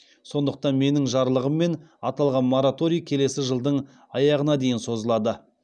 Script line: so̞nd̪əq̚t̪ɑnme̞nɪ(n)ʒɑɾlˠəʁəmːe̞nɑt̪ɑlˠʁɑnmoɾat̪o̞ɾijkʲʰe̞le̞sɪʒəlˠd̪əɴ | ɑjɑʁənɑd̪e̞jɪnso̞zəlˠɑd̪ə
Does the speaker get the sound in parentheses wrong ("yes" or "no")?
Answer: yes